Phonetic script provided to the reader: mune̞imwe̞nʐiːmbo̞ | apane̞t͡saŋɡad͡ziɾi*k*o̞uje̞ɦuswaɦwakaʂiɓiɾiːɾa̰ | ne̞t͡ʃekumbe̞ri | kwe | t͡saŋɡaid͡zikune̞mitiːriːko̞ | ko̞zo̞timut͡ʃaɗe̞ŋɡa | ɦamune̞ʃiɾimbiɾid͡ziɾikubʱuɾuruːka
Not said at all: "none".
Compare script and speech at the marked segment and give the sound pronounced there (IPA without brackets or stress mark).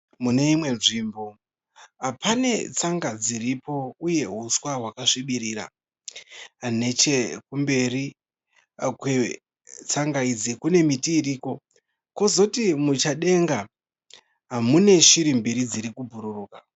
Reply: p